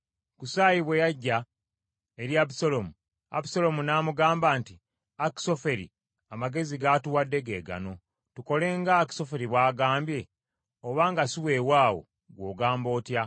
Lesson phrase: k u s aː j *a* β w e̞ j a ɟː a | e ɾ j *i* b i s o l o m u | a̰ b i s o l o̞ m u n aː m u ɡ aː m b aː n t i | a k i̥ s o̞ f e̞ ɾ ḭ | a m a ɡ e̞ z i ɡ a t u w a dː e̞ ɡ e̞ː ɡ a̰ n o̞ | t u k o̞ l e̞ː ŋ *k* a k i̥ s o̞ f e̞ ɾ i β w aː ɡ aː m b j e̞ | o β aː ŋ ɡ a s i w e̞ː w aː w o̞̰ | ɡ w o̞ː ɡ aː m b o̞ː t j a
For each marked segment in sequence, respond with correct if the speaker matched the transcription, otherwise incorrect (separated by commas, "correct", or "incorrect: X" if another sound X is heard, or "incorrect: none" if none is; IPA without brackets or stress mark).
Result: incorrect: i, incorrect: a, incorrect: ɡ